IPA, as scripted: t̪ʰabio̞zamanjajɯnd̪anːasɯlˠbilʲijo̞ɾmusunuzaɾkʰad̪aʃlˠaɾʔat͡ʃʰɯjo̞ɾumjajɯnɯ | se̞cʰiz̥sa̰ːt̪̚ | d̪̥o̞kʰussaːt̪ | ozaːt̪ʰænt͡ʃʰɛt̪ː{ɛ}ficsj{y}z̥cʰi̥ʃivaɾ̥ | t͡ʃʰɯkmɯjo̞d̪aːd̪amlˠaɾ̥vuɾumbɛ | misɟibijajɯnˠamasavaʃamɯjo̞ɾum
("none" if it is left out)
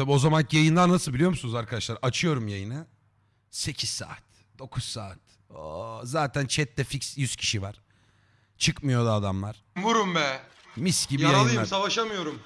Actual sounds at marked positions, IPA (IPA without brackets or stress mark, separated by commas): ɛ, y